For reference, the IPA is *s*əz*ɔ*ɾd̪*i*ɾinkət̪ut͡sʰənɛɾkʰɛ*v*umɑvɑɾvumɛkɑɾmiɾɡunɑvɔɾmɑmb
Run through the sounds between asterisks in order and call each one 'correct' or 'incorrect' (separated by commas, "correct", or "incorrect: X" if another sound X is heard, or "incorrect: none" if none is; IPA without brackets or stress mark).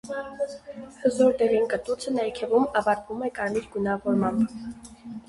incorrect: h, correct, incorrect: ɛ, correct